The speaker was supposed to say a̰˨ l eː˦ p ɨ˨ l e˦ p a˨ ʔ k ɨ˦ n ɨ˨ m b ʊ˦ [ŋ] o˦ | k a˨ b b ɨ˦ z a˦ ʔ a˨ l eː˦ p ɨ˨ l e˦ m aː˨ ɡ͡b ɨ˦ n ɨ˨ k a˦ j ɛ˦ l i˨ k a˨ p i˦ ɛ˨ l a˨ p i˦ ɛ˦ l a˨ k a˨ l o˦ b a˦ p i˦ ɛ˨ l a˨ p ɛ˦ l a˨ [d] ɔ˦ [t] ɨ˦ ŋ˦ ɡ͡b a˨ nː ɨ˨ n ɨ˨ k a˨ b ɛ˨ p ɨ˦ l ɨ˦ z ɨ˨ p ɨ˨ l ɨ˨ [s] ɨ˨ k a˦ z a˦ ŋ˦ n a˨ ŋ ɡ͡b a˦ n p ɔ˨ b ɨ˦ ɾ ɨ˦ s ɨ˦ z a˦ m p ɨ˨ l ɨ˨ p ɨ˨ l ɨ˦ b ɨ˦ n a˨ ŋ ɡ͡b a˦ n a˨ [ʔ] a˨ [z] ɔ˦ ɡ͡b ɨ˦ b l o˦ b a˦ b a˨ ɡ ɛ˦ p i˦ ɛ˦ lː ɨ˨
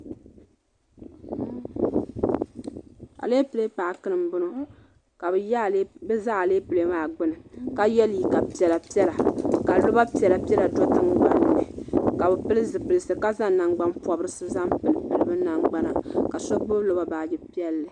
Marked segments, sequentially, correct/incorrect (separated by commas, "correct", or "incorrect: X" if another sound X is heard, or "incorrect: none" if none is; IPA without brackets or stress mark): incorrect: n, correct, correct, correct, incorrect: k, incorrect: s